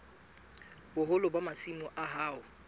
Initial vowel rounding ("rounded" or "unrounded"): rounded